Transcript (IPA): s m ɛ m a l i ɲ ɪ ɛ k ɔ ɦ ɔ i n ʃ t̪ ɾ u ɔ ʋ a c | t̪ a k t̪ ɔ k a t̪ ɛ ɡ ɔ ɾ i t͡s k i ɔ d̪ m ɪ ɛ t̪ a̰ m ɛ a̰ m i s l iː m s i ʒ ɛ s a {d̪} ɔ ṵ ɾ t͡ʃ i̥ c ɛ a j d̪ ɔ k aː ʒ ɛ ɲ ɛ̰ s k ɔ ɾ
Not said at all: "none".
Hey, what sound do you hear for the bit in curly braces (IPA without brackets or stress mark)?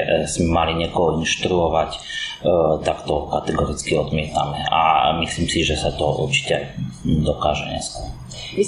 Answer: t̪